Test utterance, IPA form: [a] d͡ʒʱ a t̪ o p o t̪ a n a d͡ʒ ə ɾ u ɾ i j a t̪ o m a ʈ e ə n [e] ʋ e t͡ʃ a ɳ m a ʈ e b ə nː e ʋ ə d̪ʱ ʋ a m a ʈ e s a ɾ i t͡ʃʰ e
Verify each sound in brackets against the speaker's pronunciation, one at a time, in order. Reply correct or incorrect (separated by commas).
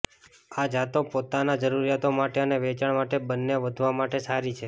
correct, correct